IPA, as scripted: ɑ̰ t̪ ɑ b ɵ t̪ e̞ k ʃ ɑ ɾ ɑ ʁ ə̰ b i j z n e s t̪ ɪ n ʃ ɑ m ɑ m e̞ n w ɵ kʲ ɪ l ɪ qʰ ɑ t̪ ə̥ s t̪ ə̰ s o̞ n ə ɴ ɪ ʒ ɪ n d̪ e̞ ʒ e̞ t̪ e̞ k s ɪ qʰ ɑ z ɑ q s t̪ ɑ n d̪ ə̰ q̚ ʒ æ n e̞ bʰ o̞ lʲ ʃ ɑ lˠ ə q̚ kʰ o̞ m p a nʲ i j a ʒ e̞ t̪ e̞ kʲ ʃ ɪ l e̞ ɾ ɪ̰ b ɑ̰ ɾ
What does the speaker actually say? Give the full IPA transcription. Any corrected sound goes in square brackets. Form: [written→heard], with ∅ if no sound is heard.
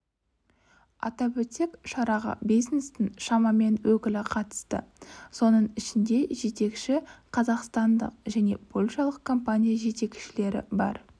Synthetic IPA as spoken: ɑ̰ t̪ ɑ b ɵ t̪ e̞ k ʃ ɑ ɾ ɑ ʁ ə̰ b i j z n e s t̪ ɪ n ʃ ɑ m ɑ m e̞ n w ɵ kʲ ɪ l ɪ qʰ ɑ t̪ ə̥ s t̪ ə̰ s o̞ n ə ɴ ɪ [ʒ→ʃ] ɪ n d̪ e̞ ʒ e̞ t̪ e̞ k [s→ʃ] ɪ qʰ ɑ z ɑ q s t̪ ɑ n d̪ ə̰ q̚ ʒ æ n e̞ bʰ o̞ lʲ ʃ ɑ lˠ ə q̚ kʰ o̞ m p a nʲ i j a ʒ e̞ t̪ e̞ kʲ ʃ ɪ l e̞ ɾ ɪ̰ b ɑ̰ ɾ